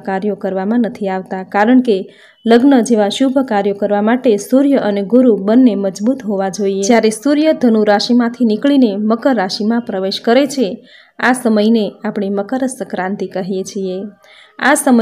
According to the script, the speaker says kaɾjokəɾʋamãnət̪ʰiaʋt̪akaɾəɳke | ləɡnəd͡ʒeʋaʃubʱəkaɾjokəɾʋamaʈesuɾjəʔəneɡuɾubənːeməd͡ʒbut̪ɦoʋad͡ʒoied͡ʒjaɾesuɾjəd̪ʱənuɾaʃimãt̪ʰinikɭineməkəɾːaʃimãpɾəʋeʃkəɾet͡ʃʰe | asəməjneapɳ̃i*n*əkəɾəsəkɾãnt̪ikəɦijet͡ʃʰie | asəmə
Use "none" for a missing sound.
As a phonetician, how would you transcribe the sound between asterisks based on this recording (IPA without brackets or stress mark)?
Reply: m